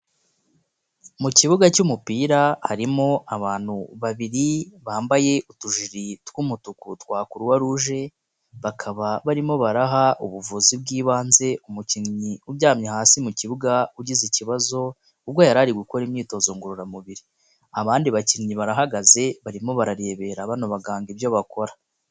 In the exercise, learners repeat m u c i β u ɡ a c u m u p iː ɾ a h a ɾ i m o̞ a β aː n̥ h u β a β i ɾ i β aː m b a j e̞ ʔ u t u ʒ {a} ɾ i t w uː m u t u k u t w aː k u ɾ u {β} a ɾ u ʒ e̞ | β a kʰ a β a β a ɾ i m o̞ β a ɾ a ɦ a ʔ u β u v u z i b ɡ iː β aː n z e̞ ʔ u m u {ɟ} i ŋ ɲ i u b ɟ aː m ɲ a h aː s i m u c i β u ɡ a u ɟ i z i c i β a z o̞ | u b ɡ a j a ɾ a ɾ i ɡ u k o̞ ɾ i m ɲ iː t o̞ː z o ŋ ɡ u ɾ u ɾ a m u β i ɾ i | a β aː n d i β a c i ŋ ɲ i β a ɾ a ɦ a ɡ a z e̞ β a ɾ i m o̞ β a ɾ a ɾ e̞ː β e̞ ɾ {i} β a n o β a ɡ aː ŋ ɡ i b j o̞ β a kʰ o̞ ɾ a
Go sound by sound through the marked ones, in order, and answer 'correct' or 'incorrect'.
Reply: incorrect: i, incorrect: w, incorrect: c, incorrect: a

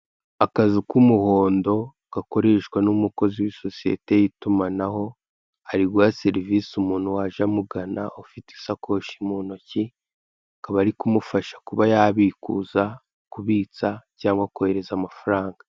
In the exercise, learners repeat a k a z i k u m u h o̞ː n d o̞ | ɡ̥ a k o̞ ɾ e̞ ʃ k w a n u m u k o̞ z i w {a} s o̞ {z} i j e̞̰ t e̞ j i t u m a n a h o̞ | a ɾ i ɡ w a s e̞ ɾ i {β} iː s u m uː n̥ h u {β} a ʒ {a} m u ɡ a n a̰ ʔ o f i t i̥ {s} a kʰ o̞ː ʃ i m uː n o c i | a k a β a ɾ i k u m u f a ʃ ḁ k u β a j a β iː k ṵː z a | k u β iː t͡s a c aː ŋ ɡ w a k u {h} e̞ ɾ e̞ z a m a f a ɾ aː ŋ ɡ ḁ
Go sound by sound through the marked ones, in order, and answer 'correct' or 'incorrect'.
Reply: incorrect: i, incorrect: s, incorrect: v, incorrect: w, correct, correct, correct

